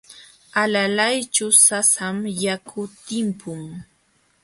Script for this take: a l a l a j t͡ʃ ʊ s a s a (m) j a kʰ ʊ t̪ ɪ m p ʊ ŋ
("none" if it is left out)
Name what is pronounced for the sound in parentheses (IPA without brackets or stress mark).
m